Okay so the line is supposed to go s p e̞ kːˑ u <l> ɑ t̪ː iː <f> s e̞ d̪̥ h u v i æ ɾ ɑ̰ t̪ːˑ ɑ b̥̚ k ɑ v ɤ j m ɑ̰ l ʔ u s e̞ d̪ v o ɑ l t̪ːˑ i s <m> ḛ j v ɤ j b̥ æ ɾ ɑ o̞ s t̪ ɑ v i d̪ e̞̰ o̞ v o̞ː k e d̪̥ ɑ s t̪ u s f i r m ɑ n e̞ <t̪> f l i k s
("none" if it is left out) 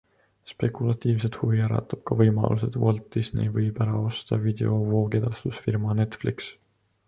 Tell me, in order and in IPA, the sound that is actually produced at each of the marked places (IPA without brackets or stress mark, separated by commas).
l, v, n, t̪